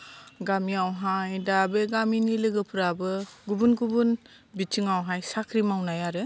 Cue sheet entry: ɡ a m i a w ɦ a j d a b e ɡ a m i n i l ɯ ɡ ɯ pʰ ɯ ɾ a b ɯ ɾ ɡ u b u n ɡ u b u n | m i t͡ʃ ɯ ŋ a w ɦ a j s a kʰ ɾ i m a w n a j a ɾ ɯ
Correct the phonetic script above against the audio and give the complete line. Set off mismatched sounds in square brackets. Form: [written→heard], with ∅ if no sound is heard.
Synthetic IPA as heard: ɡ a m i a w ɦ a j d a b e ɡ a m i n i l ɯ ɡ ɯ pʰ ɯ ɾ a b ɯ [ɾ→∅] ɡ u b u n ɡ u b u n | [m→b] i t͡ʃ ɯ ŋ a w ɦ a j s a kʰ ɾ i m a w n a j a ɾ ɯ